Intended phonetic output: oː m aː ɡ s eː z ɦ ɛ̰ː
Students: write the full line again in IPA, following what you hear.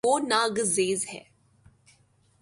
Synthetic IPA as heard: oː n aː ɡ z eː z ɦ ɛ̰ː

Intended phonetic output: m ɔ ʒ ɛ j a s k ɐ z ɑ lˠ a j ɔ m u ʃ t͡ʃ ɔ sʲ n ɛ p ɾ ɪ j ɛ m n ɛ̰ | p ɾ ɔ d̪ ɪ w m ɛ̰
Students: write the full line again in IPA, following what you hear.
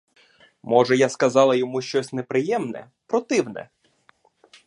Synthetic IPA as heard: m ɔ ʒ ɛ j a s k ɐ z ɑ lˠ ɐ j ɔ m u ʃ t͡ʃ ɔ sʲ n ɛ p ɾ ɪ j ɛ m n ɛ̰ | p ɾ ɔ t̪ ɪ w n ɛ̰

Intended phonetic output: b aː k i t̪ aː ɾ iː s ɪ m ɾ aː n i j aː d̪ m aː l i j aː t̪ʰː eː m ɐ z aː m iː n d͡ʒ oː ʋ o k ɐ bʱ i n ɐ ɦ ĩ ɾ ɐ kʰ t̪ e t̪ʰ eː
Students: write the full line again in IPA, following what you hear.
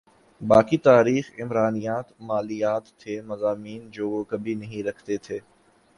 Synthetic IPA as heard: b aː k i t̪ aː ɾ iː x ɪ m ɾ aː n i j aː t̪ m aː l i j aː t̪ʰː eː m ɐ z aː m iː n d͡ʒ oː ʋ o k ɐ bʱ i n ɐ ɦ ĩ ɾ ɐ kʰ t̪ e t̪ʰ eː

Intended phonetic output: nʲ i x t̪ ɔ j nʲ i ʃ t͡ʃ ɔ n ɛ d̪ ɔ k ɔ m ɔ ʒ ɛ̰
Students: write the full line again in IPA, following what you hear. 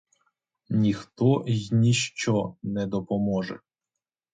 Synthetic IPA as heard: nʲ i x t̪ ɔ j nʲ i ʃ t͡ʃ ɔ n ɛ d̪ ɔ p ɔ m ɔ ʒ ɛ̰

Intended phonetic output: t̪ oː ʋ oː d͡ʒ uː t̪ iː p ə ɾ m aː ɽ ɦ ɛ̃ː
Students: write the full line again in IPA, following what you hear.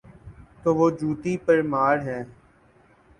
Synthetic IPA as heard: t̪ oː ʋ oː d͡ʒ uː t̪ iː p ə ɾ m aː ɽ ɦ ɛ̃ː

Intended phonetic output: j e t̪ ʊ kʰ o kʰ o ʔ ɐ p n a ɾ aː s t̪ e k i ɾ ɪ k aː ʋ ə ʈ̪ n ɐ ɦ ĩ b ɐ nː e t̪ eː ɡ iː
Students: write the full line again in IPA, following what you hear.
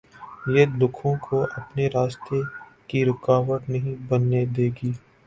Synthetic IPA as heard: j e d̪ ʊ kʰ õ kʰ o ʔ ɐ p n e ɾ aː s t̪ e k i ɾ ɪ k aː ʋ ə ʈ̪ n ɐ ɦ ĩ b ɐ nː e d̪ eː ɡ iː

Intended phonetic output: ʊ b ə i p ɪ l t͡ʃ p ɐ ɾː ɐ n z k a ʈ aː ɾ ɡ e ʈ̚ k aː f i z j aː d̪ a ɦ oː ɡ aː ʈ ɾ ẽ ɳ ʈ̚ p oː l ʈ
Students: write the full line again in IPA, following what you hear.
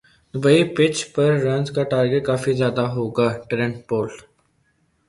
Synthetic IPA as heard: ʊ b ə i p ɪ t͡ʃ p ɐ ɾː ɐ n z k a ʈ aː ɾ ɡ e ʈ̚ k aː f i z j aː d̪ a ɦ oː ɡ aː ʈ ɾ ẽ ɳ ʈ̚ p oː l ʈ

